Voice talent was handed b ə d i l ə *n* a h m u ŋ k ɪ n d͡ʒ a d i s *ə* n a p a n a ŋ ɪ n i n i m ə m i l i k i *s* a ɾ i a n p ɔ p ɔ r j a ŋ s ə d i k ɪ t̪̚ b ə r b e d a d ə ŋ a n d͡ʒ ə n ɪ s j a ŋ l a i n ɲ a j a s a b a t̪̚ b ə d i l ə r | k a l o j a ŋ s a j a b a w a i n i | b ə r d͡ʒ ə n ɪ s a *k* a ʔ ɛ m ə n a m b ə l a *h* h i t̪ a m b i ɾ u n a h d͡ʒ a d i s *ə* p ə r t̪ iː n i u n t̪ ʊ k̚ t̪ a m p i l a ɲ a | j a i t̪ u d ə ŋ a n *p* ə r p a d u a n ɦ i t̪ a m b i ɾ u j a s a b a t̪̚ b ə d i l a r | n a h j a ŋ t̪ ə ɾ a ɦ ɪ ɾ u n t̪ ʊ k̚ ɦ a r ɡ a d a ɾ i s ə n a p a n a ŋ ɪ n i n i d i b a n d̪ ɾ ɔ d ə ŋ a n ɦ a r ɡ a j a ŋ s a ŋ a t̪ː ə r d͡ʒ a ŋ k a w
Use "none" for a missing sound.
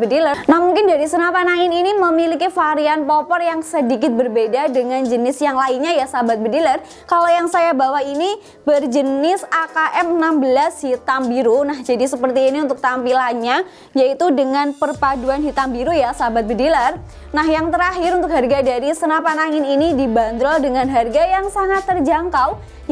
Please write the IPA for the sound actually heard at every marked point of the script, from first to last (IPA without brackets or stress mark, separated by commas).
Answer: n, ə, f, k, s, ə, p